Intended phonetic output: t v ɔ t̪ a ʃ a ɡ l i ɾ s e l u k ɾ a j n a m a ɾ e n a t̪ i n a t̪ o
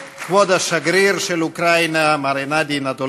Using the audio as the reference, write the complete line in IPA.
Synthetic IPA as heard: k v ɔ d̪ a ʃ a ɡ ɾ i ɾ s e l u k ɾ a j n a m a ɾ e n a d̪ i n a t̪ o